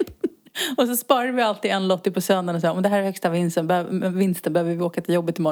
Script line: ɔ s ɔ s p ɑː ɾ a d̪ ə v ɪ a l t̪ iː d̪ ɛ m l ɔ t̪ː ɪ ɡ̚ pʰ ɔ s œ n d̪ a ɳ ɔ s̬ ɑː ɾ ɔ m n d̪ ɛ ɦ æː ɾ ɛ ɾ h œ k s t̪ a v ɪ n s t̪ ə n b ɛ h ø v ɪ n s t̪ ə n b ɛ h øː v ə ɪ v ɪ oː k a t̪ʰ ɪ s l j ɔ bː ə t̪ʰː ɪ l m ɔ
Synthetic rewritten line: ɔ s ɔ s p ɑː ɾ a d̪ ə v ɪ a l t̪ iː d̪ ɛ n l ɔ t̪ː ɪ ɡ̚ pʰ ɔ s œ n d̪ a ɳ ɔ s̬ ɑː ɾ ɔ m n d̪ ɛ ɦ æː ɾ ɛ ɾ h œ k s t̪ a v ɪ n s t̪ ə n b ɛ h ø v ɪ n s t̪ ə n b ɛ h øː v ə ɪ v ɪ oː k a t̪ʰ ɪ l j ɔ bː ə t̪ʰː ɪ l m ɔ